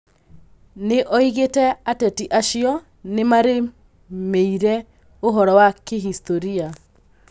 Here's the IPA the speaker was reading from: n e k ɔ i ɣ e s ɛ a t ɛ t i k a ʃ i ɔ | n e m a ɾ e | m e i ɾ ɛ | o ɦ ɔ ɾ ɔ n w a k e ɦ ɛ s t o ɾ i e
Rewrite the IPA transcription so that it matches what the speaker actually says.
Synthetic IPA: n e ʔ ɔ i ɣ e t ɛ a t ɛ t i ʔ a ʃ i ɔ | n e m a ɾ e | m e i ɾ ɛ | o ɦ ɔ ɾ ɔ w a k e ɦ i s t o ɾ i a